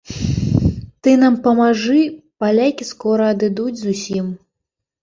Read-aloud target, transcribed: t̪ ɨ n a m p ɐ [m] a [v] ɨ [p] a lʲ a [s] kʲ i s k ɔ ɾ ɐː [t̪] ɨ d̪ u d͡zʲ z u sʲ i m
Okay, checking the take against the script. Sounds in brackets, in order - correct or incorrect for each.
correct, incorrect: ʐ, correct, incorrect: none, incorrect: d̪

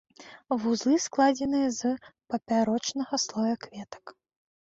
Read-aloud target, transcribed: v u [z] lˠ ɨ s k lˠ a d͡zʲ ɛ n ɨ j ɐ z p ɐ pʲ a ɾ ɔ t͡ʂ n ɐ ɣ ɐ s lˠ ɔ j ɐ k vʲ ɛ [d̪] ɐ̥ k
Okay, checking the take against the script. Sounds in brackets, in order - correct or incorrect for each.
correct, incorrect: t̪

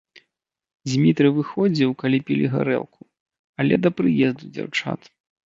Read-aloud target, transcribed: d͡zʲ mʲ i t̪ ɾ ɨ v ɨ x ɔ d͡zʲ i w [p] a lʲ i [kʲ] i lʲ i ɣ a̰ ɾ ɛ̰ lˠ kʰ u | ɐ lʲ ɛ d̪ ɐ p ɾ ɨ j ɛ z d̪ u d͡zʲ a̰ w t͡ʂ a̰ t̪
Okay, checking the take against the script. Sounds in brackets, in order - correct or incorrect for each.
incorrect: k, incorrect: pʲ

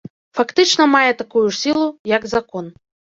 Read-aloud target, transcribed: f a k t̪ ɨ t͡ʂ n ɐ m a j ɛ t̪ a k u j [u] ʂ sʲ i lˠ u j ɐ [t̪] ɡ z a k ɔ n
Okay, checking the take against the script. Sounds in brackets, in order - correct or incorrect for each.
correct, incorrect: none

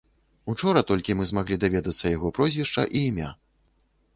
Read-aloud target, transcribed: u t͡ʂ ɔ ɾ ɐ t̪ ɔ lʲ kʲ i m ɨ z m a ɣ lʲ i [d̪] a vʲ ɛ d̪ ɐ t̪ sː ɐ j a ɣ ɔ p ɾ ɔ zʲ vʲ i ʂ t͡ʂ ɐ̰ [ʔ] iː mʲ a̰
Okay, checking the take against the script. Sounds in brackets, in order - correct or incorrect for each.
correct, correct

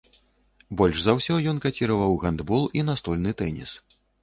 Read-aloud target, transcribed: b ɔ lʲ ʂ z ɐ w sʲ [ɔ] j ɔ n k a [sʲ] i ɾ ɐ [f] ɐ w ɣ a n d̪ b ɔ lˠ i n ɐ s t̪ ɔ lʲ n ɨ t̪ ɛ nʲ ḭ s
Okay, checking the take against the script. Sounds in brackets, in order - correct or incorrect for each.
correct, incorrect: t͡sʲ, incorrect: v

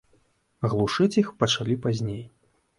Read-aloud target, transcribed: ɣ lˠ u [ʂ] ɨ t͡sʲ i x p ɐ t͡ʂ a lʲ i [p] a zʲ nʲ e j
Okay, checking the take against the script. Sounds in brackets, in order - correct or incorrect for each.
correct, correct

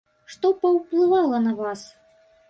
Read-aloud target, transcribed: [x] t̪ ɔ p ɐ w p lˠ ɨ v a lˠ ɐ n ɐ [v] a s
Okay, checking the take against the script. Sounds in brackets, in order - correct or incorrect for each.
incorrect: ʂ, correct

